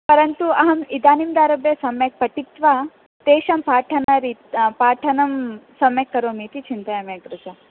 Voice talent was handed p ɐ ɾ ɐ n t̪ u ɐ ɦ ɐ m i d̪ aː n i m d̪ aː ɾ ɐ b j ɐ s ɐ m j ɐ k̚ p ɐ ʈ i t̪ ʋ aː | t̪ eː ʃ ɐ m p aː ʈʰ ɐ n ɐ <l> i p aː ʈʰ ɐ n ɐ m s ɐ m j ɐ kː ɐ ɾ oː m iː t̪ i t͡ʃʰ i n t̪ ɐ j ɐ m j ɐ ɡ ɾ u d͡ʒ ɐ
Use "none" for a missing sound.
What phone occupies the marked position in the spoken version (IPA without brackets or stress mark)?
ɾ